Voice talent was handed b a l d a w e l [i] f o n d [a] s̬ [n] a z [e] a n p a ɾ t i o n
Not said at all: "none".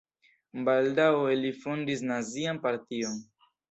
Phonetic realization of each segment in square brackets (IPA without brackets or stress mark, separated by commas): i, i, n, i